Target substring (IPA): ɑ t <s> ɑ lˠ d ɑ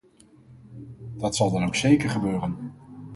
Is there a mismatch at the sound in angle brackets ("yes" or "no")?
no